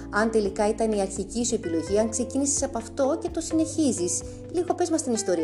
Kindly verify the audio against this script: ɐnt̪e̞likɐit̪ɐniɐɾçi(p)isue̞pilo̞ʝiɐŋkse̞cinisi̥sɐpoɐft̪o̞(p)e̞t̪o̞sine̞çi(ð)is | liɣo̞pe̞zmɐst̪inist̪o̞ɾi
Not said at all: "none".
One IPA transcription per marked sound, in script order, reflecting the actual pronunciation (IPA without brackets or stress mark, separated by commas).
c, c, z